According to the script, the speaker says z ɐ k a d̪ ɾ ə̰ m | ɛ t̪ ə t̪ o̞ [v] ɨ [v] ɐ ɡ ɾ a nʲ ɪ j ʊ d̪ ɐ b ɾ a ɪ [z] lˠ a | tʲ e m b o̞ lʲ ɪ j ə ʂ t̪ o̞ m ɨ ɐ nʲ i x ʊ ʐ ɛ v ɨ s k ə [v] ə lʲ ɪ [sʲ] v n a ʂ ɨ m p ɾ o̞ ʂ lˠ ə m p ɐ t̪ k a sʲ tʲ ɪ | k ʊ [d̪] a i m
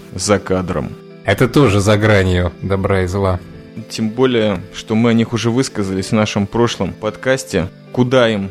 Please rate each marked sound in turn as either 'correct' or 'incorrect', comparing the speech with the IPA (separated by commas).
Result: incorrect, incorrect, correct, incorrect, correct, correct